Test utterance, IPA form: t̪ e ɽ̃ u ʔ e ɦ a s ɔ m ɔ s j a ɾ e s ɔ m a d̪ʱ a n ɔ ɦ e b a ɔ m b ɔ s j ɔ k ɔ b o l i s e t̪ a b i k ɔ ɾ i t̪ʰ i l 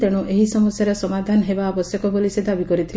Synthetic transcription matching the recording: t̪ e ɽ̃ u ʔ e ɦ i s ɔ m ɔ s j a ɾ e s ɔ m a d̪ʱ a n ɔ ɦ e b a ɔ b ɔ s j ɔ k ɔ b o l i s e d̪ a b i k ɔ ɾ i t̪ʰ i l